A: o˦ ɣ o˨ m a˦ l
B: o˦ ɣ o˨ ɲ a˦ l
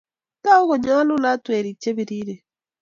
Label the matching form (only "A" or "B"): B